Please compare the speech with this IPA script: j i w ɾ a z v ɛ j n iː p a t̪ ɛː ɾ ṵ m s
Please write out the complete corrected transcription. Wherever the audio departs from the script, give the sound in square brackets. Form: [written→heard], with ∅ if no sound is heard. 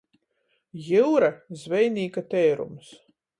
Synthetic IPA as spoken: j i w ɾ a z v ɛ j n iː [p→k] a t̪ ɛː ɾ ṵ m s